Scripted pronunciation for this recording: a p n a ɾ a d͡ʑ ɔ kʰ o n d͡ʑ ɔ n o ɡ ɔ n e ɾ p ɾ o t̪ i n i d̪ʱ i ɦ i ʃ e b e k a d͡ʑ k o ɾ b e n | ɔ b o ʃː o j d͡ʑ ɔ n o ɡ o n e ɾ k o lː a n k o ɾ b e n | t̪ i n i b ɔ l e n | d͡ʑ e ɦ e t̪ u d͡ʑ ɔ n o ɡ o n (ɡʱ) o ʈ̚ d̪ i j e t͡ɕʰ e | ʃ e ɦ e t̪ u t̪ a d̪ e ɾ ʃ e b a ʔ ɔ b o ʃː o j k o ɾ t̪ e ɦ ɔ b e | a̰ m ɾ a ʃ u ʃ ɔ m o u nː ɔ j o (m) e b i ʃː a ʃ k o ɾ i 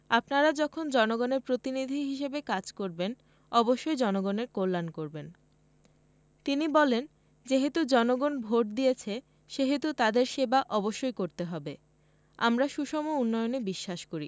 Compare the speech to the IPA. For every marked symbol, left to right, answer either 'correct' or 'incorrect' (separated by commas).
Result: incorrect, incorrect